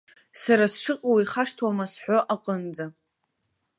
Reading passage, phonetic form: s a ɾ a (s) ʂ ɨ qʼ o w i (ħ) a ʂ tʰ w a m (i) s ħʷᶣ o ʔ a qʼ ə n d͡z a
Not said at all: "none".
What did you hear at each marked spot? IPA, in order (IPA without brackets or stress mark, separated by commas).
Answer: s, χ, a